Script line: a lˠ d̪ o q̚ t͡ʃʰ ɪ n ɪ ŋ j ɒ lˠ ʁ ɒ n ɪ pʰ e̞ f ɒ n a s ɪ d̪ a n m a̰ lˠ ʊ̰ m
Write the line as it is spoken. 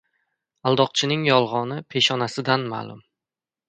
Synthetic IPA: a lˠ d̪ ɒ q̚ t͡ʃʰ ɪ n ɪ ŋ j ɒ lˠ ʁ ɒ n ɪ pʰ e̞ ʃ ɒ n a s ɪ d̪ a n m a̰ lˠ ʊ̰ m

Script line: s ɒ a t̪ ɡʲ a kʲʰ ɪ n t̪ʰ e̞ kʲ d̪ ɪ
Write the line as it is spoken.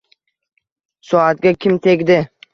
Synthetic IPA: s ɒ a t̪ ɡʲ a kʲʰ ɪ m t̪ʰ e̞ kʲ d̪ ɪ

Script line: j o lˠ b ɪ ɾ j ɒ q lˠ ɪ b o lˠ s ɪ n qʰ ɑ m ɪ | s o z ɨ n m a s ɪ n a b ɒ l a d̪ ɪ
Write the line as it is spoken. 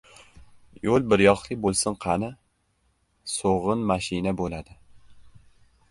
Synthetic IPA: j o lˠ b ɪ ɾ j ɒ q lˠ ɪ b o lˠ s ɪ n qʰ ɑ n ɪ | s o ʁ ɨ n m a ʃ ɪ n a b o l a d̪ ɪ

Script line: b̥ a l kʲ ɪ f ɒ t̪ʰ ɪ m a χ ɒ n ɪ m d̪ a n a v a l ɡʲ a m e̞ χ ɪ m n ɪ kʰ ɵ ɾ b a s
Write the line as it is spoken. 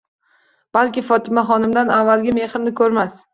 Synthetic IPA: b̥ a l kʲ ɪ f ɒ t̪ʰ ɪ m a χ ɒ n ɪ m d̪ a n a vː a l ɡʲ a m e̞ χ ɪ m n ɪ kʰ ɵ ɾ m a s

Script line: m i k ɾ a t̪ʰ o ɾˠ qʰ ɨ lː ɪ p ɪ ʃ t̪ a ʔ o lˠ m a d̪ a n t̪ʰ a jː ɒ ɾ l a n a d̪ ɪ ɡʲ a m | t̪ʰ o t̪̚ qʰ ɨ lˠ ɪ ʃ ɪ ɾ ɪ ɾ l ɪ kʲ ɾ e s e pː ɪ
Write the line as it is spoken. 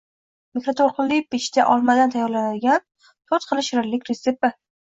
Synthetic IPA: m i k ɾ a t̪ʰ o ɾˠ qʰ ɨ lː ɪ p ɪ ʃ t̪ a ʔ ɒ lˠ m a d̪ a n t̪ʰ a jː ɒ ɾ l a n a d̪ ɪ ɡʲ a n | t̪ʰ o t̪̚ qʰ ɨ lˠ ɪ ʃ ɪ ɾ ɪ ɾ l ɪ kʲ ɾ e s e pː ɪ

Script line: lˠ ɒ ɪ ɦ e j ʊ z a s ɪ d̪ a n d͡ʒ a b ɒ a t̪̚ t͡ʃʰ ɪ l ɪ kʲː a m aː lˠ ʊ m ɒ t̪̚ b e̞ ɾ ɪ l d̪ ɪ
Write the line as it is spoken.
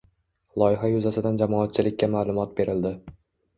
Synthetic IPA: lˠ ɒ ɪ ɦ a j ʊ z a s ɪ d̪ a n d͡ʒ a m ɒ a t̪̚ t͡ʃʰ ɪ l ɪ kʲː a m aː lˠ ʊ m ɒ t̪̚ b e̞ ɾ ɪ l d̪ ɪ

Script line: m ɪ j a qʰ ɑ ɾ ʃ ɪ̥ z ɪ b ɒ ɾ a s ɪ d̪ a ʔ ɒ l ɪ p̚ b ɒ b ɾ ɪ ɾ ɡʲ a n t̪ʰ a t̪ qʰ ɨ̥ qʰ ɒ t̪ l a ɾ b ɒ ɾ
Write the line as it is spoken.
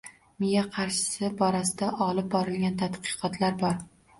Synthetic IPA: m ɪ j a qʰ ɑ ɾ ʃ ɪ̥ s ɪ b ɒ ɾ a s ɪ d̪ a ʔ ɒ l ɪ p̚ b ɒ ɾ ɪ l ɡʲ a n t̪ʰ a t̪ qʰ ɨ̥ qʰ ɒ t̪ l a ɾ b ɒ ɾ

